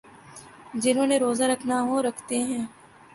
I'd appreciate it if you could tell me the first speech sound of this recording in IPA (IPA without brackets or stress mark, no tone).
d͡ʒ